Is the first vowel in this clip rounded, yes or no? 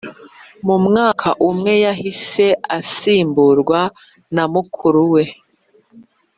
yes